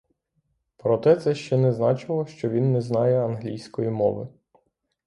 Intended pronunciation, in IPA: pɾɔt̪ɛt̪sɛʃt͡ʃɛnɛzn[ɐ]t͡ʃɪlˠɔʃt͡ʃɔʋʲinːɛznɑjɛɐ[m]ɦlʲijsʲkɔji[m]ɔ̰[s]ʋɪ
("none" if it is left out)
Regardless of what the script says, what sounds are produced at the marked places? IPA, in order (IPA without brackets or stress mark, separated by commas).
ɑ, n, m, none